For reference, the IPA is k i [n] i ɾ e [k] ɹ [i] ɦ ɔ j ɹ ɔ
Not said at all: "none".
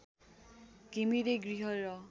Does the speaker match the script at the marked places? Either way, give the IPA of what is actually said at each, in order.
m, ɡ, i

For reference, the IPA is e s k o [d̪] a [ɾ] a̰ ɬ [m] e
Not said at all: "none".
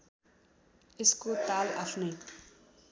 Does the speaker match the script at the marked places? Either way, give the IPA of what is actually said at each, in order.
t̪, l, n

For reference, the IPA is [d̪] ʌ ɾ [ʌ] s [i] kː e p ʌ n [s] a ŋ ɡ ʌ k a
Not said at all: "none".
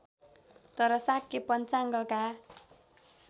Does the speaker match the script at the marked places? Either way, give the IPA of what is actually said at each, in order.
t̪, ʌ, a, t͡s

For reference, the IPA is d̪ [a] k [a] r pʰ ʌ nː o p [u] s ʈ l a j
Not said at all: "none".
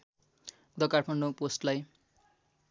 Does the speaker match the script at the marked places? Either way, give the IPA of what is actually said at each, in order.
ʌ, a, o

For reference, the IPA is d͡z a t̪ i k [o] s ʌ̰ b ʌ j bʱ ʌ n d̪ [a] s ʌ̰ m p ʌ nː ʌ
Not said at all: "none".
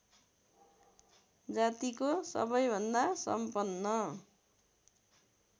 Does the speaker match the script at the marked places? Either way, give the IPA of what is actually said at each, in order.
o, a

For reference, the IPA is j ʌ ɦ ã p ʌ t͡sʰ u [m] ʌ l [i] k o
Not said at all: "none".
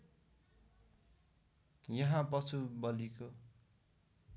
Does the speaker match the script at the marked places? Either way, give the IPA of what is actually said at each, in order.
b, i

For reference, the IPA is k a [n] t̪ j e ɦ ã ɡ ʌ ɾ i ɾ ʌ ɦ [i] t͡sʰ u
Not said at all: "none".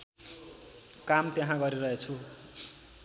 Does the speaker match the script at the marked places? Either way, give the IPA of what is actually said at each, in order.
m, e

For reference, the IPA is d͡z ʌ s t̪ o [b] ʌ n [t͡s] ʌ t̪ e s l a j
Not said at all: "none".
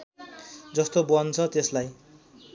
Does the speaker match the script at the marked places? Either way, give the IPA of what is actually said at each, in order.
b, t͡sʰ

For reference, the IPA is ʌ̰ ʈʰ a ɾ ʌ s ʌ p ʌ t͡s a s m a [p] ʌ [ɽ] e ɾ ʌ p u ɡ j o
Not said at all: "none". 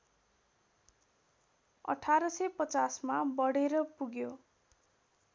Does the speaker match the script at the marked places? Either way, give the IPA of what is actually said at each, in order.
b, ɽ

